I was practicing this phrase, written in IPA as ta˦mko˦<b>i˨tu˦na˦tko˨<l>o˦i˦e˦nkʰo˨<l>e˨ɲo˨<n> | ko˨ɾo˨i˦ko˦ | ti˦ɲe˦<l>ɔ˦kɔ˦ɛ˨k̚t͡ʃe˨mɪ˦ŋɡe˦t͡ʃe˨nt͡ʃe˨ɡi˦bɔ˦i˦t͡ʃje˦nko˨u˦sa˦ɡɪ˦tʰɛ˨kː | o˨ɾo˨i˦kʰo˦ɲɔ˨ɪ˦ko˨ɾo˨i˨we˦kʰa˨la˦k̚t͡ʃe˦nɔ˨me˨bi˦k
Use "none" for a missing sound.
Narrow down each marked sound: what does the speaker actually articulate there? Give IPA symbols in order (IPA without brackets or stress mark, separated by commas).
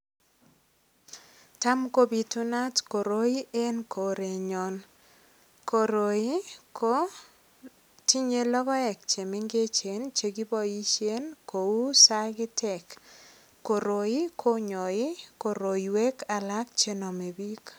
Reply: b, ɾ, ɾ, n, l